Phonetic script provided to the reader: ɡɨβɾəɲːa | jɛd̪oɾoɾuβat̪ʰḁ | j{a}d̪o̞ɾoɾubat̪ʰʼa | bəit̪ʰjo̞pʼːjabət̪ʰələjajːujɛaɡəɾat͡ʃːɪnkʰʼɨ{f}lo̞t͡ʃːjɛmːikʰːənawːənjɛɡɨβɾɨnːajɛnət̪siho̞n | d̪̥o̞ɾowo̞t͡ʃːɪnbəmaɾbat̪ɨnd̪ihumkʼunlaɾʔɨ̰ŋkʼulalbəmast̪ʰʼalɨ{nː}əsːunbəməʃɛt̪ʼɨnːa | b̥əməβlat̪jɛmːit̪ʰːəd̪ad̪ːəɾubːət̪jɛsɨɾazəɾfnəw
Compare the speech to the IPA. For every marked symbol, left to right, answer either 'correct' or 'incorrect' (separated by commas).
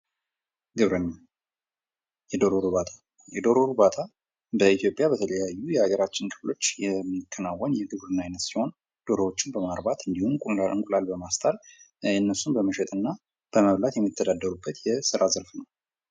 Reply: incorrect, correct, correct